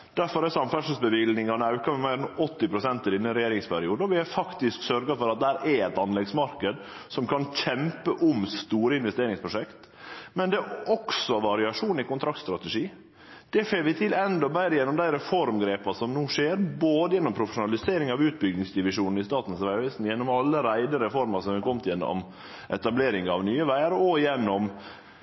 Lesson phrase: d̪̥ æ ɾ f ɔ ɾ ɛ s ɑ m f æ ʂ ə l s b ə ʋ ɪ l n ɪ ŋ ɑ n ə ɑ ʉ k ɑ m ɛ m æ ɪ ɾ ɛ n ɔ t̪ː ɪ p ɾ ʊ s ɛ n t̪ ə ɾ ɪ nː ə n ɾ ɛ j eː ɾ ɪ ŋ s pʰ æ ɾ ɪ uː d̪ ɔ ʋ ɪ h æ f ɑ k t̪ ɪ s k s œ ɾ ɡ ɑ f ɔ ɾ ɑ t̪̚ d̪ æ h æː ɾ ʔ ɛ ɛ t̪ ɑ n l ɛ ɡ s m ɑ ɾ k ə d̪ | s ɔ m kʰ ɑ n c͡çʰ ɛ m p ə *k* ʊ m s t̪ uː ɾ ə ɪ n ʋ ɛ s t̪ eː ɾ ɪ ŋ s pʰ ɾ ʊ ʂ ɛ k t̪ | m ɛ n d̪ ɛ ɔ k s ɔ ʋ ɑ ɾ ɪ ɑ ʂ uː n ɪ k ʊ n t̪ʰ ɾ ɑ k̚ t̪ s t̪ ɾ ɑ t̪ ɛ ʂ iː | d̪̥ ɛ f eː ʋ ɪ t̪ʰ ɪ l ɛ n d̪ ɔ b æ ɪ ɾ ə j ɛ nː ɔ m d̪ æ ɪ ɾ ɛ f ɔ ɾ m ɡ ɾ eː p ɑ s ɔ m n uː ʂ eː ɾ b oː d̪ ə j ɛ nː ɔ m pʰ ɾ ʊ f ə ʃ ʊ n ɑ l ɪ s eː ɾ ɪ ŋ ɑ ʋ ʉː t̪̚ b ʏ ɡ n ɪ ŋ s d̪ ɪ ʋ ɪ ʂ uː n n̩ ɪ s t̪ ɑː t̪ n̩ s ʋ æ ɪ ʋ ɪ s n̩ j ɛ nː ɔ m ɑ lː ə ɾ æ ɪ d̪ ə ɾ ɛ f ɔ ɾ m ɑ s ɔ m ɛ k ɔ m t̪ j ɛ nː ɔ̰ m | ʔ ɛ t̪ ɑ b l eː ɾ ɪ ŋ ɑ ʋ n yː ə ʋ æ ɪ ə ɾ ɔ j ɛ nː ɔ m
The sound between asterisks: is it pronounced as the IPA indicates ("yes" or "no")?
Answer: no